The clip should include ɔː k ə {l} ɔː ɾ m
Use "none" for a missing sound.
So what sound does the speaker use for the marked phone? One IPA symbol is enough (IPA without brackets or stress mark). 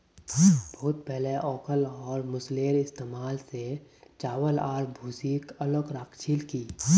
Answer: l